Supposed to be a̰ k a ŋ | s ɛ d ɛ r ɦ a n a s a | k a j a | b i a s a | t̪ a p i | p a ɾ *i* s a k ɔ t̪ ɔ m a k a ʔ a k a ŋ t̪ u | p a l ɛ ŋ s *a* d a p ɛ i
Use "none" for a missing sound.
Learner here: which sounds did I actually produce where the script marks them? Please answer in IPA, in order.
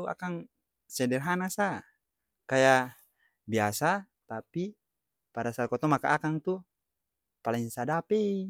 a, a

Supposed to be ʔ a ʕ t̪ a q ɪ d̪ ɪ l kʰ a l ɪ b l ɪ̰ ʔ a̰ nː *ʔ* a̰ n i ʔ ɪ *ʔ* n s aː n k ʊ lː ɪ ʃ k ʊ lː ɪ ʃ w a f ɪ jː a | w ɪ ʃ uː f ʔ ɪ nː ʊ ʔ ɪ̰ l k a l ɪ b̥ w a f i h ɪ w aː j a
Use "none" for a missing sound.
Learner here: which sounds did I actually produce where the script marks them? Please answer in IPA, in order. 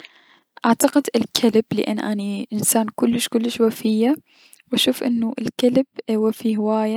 ʔ, none

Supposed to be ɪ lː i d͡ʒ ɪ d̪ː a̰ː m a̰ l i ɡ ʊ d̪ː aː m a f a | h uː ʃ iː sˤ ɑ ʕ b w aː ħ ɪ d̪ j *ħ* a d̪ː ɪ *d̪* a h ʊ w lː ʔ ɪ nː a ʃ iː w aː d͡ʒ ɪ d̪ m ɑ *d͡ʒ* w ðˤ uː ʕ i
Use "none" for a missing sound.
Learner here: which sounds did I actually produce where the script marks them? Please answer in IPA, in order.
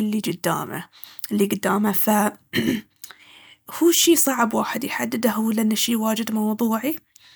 ħ, d̪, none

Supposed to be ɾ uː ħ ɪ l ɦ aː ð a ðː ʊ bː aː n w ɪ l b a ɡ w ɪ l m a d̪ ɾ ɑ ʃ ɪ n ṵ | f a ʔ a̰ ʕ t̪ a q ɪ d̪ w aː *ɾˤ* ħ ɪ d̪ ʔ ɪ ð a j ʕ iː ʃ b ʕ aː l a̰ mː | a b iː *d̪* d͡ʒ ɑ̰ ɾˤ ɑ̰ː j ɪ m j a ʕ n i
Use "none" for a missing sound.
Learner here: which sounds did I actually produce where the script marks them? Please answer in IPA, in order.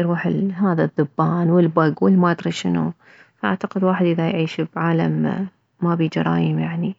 none, none

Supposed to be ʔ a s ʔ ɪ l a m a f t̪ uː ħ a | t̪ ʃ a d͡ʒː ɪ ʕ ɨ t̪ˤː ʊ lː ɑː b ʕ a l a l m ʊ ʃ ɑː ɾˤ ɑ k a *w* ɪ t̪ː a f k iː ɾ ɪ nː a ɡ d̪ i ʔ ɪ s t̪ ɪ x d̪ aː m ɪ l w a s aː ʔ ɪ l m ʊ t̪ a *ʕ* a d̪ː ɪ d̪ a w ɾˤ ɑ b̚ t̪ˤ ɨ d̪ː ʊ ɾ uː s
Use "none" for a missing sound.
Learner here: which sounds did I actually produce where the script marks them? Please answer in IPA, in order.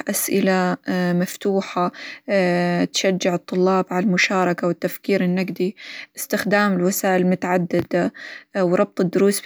w, ʕ

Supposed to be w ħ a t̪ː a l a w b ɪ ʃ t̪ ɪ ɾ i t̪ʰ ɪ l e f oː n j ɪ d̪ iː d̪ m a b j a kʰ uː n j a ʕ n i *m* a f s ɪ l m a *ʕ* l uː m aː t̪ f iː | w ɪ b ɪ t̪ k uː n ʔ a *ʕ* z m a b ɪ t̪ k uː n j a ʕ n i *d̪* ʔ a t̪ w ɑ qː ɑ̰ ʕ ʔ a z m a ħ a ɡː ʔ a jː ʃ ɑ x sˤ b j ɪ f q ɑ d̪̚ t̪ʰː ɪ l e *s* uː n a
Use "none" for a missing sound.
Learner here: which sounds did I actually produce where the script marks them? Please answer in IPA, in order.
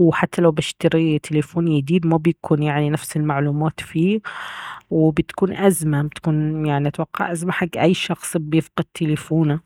n, ʕ, none, none, f

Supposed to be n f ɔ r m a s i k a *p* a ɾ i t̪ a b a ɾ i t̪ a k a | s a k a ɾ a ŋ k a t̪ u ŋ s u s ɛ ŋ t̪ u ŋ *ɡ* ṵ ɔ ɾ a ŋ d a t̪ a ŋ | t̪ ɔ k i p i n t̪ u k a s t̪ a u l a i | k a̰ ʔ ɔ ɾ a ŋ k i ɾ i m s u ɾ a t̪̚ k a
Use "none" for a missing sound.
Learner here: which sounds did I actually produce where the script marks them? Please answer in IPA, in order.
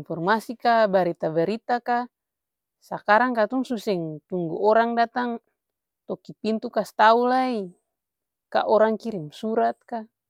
b, ɡ

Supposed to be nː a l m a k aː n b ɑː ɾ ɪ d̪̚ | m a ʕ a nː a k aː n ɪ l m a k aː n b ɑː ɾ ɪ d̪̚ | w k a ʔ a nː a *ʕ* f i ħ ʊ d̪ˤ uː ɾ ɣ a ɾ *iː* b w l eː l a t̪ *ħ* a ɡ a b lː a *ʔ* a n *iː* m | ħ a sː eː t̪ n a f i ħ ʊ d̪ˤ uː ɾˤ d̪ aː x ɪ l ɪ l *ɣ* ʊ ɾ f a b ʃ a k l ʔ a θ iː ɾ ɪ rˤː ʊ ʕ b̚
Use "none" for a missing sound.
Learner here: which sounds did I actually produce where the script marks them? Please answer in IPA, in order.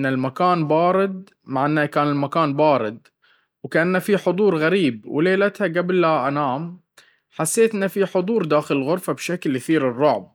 none, iː, h, ʔ, aː, ɣ

